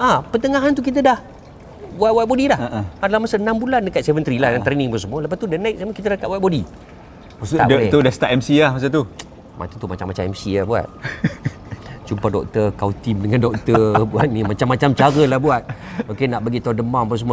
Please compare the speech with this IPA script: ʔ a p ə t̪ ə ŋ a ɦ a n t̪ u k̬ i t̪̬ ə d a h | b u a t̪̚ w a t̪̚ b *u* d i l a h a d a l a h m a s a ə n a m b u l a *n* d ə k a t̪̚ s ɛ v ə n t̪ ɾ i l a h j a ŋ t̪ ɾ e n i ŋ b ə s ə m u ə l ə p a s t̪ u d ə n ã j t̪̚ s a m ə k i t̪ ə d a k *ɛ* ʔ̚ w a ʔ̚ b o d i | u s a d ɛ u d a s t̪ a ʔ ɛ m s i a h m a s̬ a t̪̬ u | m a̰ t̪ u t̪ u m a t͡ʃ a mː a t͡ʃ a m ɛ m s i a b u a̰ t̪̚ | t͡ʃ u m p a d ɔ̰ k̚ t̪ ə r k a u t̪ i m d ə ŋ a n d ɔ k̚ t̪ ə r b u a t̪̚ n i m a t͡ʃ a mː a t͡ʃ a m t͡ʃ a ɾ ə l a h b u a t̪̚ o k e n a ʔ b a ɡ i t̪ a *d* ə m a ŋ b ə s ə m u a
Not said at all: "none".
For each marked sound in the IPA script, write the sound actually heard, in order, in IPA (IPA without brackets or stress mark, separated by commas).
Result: o, n, a, d